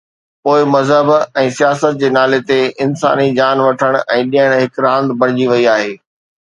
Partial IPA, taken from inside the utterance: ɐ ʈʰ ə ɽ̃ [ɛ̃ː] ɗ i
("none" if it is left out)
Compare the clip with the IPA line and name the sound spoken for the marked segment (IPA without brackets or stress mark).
ɛ̃ː